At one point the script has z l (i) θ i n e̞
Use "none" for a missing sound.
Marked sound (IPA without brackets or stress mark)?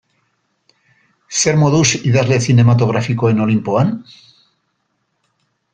e